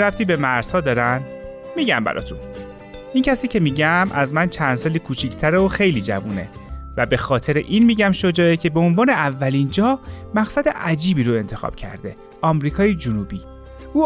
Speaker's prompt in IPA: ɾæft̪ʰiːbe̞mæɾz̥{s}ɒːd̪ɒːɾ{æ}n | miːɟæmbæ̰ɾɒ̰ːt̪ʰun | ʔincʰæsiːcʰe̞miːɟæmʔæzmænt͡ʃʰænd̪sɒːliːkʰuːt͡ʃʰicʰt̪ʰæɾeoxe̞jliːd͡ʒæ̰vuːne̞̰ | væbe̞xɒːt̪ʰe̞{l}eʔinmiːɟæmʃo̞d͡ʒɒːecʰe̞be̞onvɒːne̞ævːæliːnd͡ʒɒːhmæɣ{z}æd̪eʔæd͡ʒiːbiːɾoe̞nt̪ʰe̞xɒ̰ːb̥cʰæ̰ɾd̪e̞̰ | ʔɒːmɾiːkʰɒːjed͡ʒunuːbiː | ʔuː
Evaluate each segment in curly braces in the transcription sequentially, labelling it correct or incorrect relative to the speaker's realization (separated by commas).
incorrect, correct, incorrect, incorrect